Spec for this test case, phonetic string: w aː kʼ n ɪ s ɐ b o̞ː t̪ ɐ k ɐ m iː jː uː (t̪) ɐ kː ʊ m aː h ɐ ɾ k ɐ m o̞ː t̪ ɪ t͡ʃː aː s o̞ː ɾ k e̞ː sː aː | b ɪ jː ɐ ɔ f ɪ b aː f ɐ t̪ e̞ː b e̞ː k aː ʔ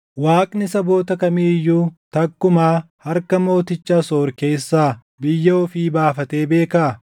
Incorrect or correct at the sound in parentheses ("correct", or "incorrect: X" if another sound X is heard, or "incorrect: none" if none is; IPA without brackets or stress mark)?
correct